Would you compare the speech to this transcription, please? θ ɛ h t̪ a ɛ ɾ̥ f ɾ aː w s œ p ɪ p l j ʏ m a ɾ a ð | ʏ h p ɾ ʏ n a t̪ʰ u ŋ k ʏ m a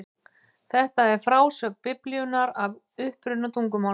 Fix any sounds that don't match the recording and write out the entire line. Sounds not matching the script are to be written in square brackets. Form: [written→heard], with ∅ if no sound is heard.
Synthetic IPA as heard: θ ɛ h t̪ a ɛ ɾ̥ f ɾ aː w s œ p ɪ p l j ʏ [m→n] a ɾ a [ð→v] | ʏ h p ɾ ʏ n a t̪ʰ u ŋ k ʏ m a